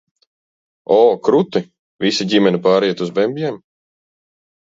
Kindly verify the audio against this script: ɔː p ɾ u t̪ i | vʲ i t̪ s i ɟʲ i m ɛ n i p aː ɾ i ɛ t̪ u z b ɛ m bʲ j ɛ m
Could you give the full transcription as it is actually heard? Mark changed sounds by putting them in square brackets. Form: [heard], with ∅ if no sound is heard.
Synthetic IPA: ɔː [k] ɾ u t̪ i | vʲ i [∅] s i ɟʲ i m ɛ n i p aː ɾ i ɛ t̪ u z b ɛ m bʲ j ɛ m